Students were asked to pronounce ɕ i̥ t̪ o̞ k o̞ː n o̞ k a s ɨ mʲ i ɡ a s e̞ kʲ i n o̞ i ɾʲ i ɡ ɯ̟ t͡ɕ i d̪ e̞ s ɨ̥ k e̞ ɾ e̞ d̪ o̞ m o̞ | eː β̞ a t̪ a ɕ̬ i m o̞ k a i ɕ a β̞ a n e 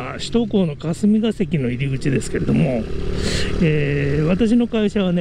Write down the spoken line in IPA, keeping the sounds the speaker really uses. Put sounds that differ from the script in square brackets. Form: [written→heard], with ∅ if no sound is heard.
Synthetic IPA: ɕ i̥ t̪ o̞ k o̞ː n o̞ k a s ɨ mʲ i ɡ a s e̞ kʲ i n o̞ i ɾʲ i ɡ ɯ̟ t͡ɕ i d̪ e̞ s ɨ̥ k e̞ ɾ e̞ d̪ o̞ m o̞ | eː β̞ a t̪ a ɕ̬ i [m→n] o̞ k a i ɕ a β̞ a n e